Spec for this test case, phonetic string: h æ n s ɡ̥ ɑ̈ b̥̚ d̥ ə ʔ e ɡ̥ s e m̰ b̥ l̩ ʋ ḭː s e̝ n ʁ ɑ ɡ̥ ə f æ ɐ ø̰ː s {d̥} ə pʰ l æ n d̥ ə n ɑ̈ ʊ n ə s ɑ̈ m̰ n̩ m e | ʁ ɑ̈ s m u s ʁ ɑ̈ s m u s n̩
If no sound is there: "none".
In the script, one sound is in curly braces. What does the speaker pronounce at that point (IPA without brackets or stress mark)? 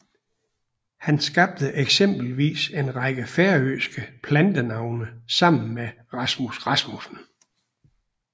ɡ̥